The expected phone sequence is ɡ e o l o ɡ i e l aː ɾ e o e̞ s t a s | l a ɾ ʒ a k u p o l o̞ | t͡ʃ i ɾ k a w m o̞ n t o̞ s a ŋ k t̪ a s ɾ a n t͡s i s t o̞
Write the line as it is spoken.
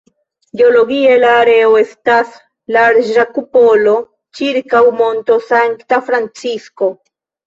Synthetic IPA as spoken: ɡ e o l o ɡ i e l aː ɾ e o e̞ s t a s | l a ɾ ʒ a k u p o l o̞ | t͡ʃ i ɾ k a w m o̞ n t o̞ s a ŋ k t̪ a f ɾ a n t͡s i s k o̞